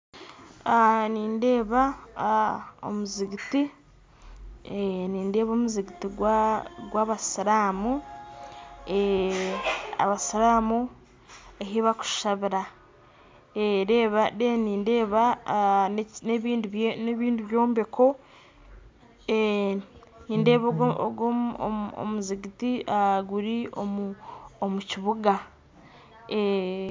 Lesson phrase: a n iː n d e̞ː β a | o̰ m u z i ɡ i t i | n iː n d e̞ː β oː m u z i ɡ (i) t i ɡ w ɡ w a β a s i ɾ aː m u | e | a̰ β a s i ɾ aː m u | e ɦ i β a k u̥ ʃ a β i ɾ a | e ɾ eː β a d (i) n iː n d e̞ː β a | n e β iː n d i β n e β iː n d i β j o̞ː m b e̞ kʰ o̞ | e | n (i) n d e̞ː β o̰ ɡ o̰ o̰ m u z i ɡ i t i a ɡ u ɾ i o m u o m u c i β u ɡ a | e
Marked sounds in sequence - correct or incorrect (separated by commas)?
correct, incorrect, incorrect